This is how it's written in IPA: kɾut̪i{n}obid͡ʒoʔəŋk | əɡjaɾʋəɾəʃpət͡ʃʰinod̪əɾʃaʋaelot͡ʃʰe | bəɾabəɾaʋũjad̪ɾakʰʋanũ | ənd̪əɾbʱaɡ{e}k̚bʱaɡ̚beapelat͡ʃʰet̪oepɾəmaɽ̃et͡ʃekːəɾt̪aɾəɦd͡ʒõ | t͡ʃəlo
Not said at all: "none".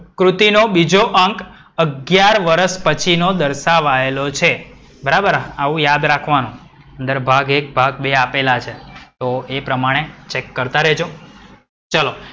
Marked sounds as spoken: n, e

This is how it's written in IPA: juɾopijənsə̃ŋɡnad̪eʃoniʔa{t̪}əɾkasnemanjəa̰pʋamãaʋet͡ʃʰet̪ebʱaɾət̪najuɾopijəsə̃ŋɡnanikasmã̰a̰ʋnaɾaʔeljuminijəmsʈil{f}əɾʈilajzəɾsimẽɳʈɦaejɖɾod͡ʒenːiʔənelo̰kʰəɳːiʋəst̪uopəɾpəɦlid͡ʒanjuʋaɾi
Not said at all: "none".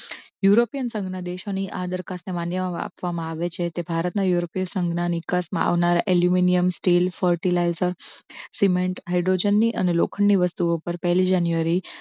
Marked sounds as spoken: d̪, f

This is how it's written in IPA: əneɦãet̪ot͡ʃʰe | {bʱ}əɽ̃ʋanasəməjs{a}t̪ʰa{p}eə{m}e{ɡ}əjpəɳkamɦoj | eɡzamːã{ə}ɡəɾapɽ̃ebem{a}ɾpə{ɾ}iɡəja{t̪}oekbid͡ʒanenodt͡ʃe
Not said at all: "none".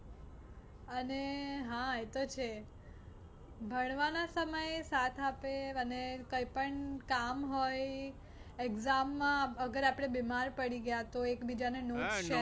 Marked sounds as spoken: bʱ, a, p, n, k, ə, a, ɽ, t̪

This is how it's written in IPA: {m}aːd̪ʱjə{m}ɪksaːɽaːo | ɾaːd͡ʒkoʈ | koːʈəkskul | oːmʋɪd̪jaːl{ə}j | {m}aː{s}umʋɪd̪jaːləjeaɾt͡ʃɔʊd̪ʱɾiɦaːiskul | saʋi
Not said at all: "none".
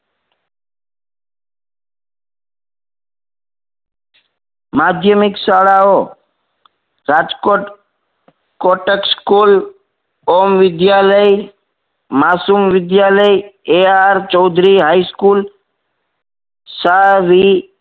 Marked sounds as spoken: m, m, ə, m, s

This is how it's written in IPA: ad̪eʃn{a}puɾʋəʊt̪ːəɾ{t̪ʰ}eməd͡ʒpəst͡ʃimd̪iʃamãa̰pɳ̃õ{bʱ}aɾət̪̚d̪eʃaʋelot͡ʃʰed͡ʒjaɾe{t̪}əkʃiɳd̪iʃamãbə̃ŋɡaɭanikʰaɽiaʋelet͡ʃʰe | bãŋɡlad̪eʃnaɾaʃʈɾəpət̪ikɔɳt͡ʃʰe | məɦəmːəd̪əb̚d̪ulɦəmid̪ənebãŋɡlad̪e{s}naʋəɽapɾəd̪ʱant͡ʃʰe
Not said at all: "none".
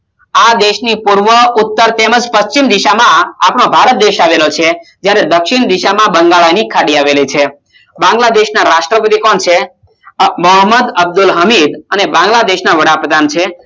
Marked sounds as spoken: i, t̪, bʱ, d̪, ʃ

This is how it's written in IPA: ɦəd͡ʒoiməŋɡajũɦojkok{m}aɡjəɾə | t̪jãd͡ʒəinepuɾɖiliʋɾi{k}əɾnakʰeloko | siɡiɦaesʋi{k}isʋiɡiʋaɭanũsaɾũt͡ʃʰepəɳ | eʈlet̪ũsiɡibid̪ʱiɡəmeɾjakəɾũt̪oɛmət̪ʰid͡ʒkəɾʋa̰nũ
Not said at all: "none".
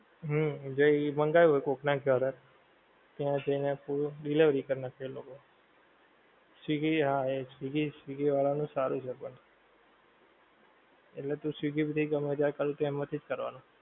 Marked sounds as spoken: n, k, ɡ

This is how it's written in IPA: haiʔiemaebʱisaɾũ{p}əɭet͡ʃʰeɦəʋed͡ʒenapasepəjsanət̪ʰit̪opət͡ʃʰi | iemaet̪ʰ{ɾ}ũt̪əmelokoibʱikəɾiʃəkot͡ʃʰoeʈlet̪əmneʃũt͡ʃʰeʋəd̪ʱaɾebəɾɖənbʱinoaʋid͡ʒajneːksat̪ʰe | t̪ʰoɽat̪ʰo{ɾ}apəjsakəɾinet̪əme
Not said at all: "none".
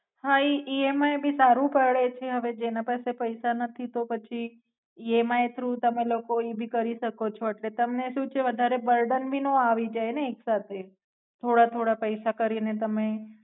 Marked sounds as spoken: p, ɾ, ɽ

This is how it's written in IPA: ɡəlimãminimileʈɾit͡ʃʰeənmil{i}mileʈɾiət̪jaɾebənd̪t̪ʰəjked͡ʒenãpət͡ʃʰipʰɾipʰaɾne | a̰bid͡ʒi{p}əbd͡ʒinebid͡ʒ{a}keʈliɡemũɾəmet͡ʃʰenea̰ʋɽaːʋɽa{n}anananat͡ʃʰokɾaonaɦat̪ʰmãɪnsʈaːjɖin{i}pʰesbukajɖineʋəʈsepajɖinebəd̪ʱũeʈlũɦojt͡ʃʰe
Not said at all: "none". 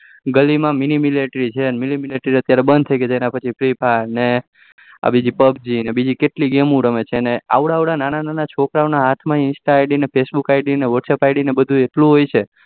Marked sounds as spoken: i, p, i, n, e

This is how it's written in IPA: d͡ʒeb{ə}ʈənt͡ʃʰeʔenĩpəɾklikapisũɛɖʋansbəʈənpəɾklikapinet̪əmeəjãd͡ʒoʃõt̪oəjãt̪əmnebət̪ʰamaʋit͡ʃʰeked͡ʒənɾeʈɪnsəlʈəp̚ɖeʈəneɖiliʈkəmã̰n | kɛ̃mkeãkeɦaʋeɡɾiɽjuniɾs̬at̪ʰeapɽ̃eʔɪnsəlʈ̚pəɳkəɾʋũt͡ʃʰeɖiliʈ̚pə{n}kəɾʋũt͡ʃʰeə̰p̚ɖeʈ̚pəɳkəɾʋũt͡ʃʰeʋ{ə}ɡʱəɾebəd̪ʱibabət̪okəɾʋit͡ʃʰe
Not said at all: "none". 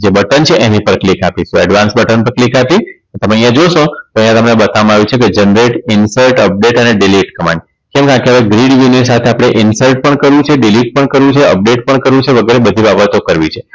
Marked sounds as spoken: ə, ɳ, ə

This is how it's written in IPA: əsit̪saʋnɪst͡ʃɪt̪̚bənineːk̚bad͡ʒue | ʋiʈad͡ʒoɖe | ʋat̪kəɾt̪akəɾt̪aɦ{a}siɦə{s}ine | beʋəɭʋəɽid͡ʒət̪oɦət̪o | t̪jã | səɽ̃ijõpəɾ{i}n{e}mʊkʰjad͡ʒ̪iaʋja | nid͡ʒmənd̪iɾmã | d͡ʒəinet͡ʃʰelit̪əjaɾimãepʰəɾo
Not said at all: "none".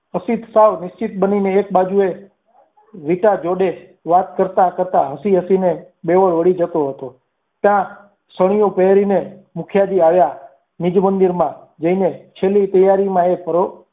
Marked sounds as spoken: ə, s, i, e

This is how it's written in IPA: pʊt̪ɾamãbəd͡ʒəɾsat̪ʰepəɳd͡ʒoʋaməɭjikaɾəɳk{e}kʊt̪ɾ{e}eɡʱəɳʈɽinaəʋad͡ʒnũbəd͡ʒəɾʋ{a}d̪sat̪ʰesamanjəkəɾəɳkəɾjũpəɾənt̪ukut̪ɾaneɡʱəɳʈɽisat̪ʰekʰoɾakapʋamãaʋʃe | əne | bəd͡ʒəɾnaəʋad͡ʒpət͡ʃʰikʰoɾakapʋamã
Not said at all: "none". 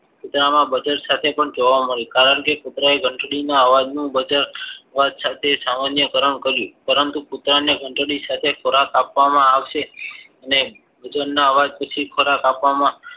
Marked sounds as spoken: e, a, a

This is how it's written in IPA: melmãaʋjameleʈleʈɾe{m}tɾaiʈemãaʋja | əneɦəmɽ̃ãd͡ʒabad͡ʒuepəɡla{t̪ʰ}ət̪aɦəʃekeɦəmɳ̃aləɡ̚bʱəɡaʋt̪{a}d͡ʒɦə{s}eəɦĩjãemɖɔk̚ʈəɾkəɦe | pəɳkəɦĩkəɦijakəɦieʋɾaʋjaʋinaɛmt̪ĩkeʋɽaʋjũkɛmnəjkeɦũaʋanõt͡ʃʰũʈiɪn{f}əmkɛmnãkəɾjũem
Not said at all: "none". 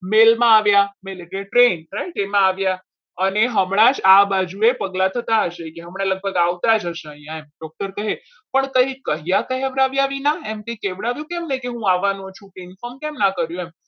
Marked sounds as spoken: n, t̪ʰ, a, ʃ, f

